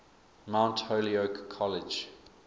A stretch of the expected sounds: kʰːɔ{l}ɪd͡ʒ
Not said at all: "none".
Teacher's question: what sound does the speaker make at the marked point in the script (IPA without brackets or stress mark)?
l